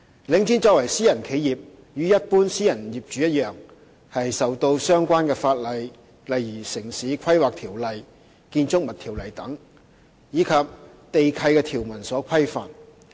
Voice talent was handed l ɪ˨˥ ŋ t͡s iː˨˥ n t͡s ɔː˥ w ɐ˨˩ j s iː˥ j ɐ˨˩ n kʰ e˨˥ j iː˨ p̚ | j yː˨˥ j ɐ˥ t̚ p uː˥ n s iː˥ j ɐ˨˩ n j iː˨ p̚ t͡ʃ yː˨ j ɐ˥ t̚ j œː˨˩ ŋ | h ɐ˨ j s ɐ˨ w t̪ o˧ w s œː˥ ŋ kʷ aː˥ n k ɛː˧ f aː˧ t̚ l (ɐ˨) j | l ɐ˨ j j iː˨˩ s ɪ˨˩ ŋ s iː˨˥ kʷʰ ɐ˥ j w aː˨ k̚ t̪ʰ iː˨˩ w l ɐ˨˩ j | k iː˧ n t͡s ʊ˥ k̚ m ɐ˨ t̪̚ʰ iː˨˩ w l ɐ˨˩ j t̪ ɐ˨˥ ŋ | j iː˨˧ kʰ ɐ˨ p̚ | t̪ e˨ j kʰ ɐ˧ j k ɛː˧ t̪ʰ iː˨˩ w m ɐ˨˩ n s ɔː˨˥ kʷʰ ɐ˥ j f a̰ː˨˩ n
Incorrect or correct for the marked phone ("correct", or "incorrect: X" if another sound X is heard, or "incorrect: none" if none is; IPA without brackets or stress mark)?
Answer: correct